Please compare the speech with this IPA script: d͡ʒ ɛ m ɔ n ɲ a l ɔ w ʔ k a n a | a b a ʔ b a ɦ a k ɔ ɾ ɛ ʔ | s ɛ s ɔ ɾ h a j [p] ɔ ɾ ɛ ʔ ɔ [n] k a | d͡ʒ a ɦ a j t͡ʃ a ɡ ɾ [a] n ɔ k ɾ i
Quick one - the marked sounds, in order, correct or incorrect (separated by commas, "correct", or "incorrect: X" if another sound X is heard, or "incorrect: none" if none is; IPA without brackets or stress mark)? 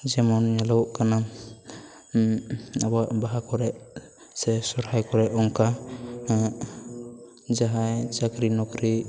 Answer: incorrect: k, incorrect: ŋ, incorrect: i